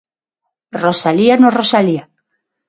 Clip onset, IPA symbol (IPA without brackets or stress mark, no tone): r